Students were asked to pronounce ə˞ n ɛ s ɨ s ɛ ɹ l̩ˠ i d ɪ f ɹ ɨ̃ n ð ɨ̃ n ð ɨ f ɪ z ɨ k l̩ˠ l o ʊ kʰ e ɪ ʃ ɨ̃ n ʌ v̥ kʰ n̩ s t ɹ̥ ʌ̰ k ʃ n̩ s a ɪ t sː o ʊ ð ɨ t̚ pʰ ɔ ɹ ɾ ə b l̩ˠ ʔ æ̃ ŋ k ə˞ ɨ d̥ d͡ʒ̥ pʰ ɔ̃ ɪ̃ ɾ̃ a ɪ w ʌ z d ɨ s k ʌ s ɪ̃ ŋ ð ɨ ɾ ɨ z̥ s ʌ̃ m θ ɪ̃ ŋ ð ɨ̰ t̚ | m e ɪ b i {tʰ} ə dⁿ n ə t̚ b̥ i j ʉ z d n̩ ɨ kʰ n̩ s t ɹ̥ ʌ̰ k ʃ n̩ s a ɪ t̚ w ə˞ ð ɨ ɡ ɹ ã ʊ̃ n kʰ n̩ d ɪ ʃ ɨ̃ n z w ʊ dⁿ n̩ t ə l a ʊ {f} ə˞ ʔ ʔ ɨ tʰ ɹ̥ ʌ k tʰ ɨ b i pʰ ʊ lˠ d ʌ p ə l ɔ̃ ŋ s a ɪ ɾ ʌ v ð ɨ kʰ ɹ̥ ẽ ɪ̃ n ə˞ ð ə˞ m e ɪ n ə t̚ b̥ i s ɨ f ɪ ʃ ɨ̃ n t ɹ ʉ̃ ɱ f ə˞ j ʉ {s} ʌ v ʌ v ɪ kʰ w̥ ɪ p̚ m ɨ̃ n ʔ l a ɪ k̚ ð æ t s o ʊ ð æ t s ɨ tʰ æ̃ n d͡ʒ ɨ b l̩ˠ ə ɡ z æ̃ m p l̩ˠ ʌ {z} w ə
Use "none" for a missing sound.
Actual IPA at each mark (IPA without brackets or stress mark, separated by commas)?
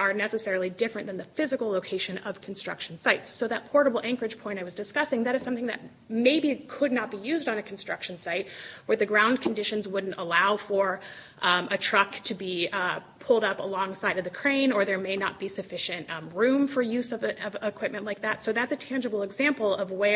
kʰ, f, z, v